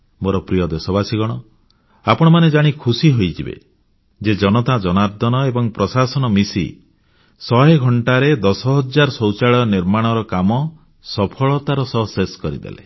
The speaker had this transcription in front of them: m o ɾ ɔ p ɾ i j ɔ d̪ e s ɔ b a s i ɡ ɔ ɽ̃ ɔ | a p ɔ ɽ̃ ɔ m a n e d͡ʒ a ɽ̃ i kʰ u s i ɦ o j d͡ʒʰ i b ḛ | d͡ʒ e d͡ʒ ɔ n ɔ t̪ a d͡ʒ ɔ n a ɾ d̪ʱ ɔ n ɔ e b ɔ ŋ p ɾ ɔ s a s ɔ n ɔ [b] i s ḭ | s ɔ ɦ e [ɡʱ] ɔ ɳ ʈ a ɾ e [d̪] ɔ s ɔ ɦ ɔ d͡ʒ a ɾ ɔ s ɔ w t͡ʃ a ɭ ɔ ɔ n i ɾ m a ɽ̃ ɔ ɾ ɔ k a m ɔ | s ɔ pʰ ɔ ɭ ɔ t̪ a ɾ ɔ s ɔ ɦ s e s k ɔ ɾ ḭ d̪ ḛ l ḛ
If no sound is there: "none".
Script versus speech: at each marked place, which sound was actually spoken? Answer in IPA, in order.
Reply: m, ɡʱ, d̪

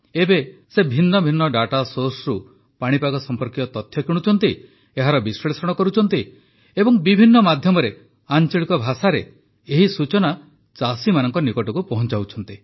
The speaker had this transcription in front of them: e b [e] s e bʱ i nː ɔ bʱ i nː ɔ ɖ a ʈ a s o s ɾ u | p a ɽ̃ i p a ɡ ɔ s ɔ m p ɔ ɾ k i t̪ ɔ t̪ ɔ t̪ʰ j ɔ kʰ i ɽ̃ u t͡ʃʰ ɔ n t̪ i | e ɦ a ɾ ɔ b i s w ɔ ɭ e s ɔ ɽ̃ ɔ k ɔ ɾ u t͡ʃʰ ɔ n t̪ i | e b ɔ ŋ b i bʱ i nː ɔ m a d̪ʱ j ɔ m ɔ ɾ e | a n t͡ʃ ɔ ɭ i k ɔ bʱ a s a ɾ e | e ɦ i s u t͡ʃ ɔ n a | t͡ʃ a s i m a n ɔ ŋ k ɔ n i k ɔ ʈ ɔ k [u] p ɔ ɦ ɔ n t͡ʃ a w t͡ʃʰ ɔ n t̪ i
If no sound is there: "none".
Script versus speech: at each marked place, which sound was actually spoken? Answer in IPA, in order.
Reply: e, u

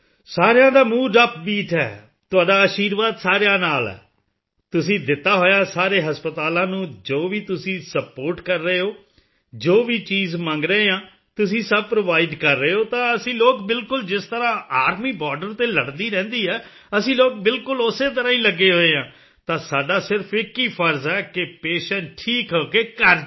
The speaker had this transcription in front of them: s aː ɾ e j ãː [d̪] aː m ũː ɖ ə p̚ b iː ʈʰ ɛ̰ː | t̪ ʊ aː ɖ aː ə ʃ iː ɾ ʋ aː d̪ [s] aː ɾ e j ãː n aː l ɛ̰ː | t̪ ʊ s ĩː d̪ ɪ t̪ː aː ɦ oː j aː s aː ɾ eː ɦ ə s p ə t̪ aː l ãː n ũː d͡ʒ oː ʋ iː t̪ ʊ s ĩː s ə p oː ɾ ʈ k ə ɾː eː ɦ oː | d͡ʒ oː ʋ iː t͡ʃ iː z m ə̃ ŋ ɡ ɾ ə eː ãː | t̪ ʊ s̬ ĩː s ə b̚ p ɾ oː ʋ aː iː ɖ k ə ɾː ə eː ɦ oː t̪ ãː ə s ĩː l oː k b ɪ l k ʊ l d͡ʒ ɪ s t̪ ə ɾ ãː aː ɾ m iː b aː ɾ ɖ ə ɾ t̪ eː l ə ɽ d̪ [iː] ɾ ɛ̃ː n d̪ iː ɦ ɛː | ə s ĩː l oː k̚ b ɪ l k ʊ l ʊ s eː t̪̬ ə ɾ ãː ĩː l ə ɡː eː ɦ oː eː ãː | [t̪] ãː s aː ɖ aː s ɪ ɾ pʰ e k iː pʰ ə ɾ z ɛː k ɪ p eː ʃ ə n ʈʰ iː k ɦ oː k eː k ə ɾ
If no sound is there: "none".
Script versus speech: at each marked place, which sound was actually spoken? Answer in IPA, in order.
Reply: d̪, s, iː, t̪

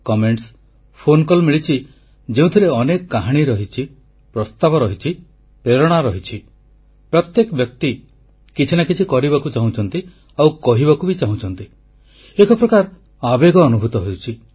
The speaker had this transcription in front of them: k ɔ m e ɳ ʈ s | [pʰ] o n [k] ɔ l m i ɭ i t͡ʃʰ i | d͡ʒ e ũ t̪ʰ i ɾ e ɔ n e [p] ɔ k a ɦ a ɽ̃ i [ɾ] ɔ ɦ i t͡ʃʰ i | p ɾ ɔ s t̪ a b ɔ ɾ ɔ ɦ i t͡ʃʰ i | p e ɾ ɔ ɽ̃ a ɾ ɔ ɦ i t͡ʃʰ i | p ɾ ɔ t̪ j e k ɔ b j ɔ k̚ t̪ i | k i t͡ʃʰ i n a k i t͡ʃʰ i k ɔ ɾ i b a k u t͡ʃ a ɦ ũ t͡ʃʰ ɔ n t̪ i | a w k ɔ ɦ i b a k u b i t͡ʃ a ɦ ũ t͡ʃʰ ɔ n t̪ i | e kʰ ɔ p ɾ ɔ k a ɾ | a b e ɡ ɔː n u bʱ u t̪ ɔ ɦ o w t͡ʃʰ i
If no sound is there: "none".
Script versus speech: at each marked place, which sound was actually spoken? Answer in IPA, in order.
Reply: pʰ, k, k, ɾ

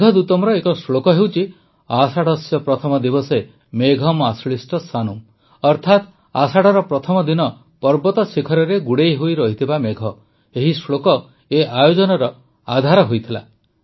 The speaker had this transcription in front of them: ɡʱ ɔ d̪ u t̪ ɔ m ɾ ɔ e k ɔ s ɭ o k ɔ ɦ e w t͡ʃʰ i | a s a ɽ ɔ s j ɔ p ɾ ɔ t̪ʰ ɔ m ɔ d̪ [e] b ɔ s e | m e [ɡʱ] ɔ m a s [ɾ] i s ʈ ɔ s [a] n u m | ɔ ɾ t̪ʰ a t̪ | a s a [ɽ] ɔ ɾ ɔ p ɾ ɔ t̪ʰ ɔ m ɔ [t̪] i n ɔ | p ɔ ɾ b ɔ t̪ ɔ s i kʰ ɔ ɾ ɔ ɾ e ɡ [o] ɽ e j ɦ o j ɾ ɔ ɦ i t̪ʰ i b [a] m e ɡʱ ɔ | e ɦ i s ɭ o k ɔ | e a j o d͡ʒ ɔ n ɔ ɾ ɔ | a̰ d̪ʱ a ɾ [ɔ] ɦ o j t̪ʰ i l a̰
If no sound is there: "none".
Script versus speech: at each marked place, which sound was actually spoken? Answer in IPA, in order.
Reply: i, ɡʱ, ɭ, a, ɽ, d̪, u, a, ɔ

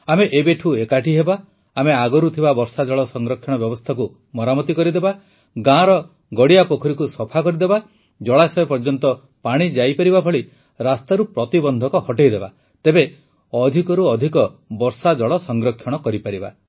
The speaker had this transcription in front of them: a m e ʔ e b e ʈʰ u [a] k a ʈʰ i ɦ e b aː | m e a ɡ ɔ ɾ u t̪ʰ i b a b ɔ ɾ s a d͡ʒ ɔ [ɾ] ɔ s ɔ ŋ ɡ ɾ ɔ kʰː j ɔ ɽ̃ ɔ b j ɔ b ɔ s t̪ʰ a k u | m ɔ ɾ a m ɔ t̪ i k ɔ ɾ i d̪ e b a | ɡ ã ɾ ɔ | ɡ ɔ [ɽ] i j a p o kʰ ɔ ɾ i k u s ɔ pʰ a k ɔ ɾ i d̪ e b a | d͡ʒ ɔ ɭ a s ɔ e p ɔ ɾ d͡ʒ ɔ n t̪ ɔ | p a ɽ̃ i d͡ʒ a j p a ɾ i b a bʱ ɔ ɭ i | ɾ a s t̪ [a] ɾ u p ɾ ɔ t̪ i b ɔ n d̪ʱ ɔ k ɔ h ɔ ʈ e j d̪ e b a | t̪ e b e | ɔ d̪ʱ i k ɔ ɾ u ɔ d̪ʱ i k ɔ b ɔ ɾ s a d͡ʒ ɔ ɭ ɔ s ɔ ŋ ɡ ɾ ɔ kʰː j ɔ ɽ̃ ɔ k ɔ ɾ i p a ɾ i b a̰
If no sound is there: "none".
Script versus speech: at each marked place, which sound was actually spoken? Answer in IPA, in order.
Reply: e, ɭ, ɽ, a

